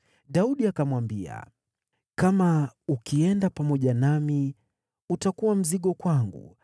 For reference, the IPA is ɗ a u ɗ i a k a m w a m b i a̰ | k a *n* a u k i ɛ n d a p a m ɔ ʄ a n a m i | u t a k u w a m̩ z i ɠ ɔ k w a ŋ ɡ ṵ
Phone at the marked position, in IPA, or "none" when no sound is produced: m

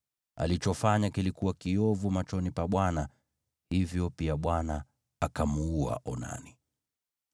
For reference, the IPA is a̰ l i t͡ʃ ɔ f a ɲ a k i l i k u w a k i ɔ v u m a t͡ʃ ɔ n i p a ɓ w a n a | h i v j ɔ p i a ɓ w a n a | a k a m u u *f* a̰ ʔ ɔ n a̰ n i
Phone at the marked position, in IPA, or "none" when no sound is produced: none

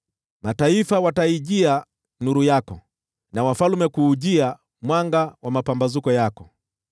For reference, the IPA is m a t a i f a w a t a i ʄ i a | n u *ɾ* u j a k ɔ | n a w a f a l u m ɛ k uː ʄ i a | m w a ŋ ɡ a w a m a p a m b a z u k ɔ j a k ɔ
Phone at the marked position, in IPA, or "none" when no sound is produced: ɾ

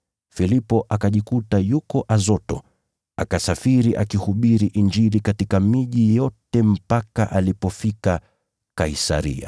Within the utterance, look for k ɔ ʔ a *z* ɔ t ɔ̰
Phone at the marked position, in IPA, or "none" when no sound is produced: z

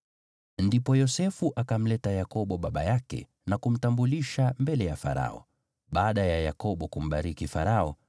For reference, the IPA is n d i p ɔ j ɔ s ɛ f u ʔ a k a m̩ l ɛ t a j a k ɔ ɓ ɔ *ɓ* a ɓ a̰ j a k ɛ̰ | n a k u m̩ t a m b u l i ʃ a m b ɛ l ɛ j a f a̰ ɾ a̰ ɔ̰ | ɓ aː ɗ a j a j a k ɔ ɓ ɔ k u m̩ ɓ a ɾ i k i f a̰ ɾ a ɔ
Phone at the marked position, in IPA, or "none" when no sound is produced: ɓ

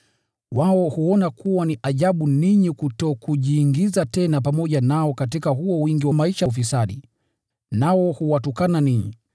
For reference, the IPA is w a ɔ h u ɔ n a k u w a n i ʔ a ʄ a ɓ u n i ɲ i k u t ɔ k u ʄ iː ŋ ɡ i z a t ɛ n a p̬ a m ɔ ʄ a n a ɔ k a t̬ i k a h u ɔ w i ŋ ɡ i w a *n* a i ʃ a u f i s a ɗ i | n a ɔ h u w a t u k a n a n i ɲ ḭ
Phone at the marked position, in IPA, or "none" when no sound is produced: m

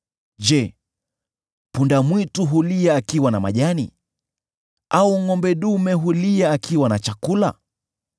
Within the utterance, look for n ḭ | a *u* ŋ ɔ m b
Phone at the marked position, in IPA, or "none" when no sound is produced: u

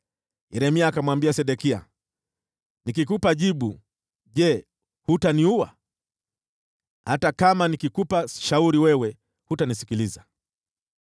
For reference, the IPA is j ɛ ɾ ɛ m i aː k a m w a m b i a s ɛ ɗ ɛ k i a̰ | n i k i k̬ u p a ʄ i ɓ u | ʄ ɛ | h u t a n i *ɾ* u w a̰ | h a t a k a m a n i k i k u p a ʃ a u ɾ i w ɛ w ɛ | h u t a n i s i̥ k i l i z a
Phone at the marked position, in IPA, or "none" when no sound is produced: none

